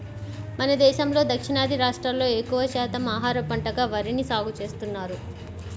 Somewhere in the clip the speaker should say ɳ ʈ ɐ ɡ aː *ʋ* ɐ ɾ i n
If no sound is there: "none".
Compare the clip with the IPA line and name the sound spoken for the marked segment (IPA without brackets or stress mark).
ʋ